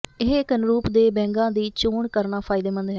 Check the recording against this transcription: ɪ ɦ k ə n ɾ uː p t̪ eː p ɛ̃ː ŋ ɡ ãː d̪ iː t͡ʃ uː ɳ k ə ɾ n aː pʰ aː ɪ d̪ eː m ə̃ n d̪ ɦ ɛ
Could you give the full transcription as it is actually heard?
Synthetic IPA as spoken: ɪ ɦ k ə n ɾ uː p d̪ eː b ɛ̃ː ŋ ɡ ãː d̪ iː t͡ʃ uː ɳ k ə ɾ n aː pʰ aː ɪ d̪ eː m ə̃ n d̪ ɦ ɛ